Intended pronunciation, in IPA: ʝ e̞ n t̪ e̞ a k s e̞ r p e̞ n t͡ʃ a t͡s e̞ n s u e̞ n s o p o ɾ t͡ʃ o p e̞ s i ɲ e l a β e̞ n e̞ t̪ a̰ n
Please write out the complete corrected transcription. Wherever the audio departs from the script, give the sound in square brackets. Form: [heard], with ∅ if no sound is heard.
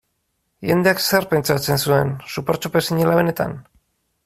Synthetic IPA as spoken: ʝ e̞ n [d̪] e̞ a k s e̞ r p e̞ n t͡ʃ a t͡s e̞ n s u e̞ n s [u] p o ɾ t͡ʃ o p e̞ s i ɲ e l a β e̞ n e̞ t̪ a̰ n